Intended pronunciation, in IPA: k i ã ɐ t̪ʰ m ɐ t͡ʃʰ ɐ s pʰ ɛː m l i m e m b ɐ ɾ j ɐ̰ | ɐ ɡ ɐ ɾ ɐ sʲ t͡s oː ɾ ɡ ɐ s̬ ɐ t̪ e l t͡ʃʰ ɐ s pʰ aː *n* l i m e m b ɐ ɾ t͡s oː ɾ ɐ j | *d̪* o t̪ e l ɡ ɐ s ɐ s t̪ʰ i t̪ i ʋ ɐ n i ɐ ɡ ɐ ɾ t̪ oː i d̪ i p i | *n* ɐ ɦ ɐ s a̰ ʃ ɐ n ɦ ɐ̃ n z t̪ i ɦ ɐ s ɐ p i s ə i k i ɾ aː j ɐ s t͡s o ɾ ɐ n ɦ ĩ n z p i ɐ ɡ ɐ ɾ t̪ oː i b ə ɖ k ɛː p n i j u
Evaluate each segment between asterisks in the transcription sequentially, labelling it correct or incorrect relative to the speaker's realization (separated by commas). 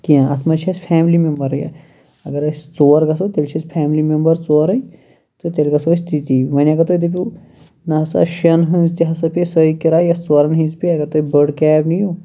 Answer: incorrect, incorrect, correct